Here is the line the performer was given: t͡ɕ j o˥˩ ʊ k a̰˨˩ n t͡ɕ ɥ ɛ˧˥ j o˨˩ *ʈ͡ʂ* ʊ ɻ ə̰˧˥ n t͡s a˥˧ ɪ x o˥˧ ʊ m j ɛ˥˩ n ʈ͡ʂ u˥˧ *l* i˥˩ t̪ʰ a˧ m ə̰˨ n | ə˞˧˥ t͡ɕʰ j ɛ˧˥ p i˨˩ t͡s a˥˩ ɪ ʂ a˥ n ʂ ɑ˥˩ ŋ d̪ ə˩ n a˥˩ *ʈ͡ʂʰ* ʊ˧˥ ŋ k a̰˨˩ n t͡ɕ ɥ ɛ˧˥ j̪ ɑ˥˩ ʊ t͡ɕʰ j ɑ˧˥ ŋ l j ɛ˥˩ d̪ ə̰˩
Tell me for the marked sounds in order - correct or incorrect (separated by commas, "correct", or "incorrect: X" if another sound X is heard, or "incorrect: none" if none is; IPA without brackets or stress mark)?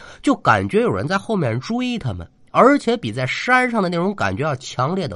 incorrect: none, incorrect: none, incorrect: ʈ͡ʂ